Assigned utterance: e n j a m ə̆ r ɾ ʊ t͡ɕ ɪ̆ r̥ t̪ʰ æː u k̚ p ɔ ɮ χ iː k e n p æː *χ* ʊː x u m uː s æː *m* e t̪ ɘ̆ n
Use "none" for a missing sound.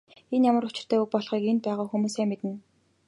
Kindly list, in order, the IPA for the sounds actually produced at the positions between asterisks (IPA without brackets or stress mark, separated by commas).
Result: ʁ, m